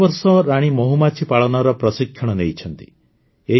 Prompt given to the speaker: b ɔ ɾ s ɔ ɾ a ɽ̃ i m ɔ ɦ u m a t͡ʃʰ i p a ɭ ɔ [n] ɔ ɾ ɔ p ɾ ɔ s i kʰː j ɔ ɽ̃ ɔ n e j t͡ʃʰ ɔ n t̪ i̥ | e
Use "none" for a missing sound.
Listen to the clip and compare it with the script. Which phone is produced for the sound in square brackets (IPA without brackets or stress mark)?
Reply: n